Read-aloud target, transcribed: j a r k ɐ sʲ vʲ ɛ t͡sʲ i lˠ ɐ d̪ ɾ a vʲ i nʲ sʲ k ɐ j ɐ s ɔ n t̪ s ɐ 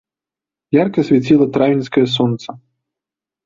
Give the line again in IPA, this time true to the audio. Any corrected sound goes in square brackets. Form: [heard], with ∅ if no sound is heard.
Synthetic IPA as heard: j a r k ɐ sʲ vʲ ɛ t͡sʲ i lˠ ɐ [t̪] ɾ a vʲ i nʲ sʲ k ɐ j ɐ s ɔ n t̪ s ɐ